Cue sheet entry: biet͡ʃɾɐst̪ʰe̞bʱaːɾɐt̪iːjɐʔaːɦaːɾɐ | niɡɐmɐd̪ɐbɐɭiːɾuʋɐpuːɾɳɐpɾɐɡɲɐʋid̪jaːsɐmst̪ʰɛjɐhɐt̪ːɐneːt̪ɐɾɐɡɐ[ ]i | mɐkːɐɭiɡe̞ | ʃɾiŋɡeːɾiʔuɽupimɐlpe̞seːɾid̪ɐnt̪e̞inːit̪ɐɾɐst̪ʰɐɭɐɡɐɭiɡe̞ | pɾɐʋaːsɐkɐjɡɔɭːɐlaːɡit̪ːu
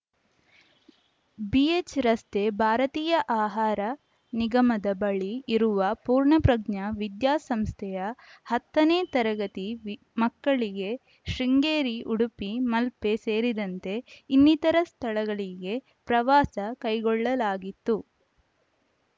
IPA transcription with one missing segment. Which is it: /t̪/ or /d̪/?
t̪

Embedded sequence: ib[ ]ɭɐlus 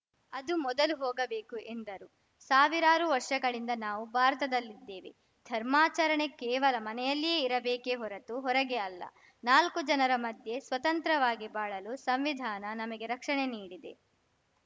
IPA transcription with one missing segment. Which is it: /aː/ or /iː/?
aː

